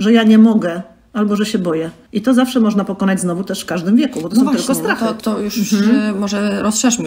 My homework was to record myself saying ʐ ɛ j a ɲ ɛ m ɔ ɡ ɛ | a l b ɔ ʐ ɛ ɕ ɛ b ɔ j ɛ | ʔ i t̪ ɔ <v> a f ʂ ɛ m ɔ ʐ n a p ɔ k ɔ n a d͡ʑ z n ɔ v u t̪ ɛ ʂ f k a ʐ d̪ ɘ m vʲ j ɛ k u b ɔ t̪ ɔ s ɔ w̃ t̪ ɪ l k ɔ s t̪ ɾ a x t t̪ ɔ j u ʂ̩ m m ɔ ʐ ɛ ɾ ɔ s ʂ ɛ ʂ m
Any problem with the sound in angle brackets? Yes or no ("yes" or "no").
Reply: yes